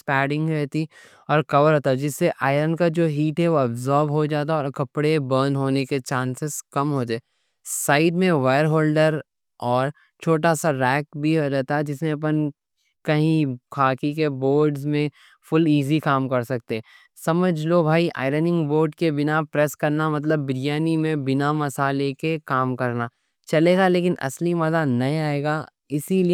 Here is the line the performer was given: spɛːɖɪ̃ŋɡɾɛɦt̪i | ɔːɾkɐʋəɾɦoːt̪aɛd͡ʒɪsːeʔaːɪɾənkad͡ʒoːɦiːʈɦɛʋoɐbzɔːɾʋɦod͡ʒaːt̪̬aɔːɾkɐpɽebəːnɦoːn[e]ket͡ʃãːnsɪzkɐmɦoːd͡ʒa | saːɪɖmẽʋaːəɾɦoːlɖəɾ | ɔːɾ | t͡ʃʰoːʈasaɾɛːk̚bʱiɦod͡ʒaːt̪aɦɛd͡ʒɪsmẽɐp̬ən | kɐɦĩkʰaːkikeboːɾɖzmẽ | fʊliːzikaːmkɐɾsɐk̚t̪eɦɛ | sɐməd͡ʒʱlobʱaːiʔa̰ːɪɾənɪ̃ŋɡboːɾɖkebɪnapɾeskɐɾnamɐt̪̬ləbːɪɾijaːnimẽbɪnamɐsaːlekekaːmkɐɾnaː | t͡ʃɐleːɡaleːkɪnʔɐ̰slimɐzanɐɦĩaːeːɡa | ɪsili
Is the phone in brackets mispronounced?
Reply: no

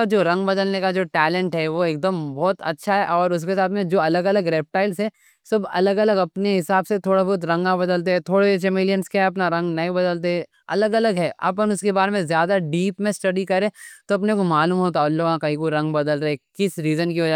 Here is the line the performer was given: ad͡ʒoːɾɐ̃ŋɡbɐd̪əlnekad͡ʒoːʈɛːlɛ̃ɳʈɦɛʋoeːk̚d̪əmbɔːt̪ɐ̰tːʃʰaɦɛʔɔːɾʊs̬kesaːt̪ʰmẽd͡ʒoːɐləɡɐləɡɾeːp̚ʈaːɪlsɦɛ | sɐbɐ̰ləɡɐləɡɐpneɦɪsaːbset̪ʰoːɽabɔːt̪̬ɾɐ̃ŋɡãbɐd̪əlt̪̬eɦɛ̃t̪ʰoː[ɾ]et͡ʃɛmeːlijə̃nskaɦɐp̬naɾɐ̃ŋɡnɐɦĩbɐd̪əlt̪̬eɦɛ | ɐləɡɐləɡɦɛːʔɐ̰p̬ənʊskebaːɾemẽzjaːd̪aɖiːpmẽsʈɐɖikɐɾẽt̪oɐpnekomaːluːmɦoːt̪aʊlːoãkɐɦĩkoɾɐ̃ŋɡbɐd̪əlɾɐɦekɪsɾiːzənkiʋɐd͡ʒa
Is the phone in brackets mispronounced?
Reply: yes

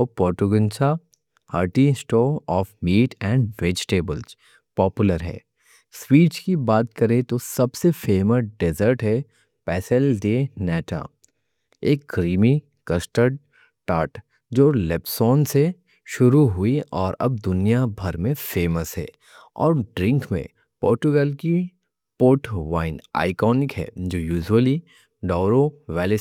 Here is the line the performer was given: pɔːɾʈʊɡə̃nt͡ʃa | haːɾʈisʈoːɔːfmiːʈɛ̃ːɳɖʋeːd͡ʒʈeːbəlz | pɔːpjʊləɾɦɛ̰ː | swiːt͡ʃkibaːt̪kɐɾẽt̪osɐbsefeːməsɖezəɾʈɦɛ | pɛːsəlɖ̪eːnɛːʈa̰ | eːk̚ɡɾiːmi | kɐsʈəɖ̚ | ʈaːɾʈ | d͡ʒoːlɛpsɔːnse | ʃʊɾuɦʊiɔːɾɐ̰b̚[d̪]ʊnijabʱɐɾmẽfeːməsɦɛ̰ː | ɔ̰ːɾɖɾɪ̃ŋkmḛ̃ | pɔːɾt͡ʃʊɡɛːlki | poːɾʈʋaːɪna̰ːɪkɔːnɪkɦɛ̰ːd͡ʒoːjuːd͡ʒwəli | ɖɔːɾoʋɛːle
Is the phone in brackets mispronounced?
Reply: no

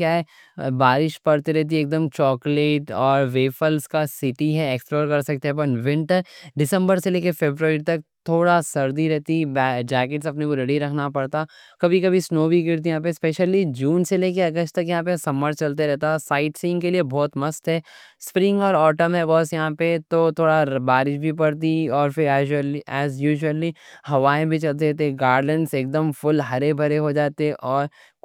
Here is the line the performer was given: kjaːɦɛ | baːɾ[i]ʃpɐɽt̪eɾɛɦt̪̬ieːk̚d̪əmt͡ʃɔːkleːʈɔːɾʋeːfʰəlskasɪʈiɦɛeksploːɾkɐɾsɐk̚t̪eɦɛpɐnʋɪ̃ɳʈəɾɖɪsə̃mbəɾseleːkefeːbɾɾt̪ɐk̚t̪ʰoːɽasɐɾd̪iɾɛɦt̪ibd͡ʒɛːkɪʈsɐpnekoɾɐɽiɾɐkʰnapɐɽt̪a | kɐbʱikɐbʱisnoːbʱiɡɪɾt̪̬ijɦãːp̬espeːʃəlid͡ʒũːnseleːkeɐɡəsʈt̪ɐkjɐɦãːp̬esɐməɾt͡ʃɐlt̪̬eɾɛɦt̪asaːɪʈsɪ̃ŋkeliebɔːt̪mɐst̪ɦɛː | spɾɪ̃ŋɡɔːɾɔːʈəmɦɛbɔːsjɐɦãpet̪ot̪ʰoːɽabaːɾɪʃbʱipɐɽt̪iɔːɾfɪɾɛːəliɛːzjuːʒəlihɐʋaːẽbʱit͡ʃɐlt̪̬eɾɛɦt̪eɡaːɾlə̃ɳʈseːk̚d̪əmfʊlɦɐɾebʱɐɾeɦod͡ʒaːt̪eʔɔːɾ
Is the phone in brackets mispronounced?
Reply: yes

